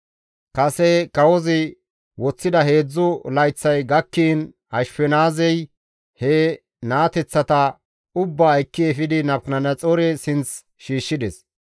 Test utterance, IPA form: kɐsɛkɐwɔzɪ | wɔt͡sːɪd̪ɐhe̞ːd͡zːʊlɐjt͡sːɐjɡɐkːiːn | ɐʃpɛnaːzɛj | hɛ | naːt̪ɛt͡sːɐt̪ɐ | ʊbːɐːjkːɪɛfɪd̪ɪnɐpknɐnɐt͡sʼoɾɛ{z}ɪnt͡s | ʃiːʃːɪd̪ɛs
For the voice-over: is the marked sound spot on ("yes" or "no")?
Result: no